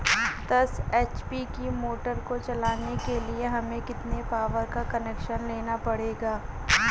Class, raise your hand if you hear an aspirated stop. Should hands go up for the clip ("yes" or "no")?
no